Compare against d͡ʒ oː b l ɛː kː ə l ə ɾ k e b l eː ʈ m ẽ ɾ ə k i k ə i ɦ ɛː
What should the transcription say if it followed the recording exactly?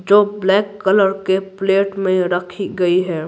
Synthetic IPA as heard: d͡ʒ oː b l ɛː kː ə l ə ɾ k e p l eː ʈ m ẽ ɾ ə kʰ i ɡ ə i ɦ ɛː